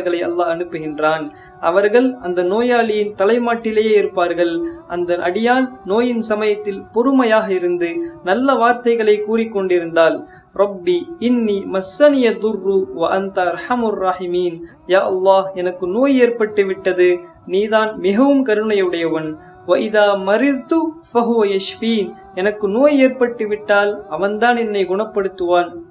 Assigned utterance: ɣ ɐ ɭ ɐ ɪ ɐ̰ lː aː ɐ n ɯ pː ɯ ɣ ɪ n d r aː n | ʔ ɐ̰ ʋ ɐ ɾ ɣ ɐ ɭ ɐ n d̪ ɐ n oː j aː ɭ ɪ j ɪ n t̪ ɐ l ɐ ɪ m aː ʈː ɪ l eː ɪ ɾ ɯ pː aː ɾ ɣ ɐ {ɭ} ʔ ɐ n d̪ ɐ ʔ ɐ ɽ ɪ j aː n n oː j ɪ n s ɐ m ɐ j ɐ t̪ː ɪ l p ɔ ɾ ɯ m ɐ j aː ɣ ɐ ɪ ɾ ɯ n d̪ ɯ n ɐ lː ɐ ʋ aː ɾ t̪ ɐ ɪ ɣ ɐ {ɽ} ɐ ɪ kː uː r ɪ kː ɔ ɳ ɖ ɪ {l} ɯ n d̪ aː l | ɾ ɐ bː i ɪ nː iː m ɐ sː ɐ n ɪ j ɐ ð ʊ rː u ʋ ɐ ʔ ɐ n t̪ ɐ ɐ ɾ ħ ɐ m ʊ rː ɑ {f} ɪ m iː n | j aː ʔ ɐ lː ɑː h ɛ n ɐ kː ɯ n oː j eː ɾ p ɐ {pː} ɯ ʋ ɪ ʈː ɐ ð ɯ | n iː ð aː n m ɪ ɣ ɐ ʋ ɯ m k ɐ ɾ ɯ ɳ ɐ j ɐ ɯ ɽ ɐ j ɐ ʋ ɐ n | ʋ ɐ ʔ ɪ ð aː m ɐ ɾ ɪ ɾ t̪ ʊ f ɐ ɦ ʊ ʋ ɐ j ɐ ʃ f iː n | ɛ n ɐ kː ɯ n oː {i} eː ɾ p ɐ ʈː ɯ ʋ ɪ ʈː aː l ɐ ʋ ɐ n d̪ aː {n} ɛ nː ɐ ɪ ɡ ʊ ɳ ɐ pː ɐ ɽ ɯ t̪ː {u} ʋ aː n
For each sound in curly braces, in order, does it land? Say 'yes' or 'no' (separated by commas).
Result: yes, no, no, no, no, no, yes, no